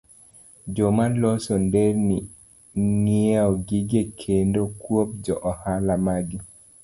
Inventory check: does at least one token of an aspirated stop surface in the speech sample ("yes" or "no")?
yes